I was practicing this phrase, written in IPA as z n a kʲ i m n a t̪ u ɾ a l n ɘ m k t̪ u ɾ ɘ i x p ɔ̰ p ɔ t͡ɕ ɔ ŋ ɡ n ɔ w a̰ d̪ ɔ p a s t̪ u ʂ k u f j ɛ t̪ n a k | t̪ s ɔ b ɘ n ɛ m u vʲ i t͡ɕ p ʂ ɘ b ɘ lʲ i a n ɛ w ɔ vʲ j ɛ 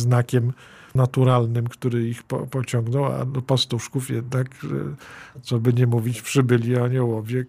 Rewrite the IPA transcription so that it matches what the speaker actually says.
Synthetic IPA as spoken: z n a kʲ ɛ m n a t̪ u ɾ a l n ɘ m k t̪ u ɾ ɘ i x p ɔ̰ p ɔ t͡ɕ ɔ ŋ ɡ n ɔ w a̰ d̪ ɔ p a s t̪ u ʂ k u f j ɛ d̪ n a k | t̪ s ɔ b ɘ ɲ ɛ m u vʲ i t͡ɕ p ʂ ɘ b ɘ lʲ i a ɲ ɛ w ɔ vʲ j ɛ